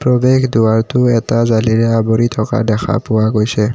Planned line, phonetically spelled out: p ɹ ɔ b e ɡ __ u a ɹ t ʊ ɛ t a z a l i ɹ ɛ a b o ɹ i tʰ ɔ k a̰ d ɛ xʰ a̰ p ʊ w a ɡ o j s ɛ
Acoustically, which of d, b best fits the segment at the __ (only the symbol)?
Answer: d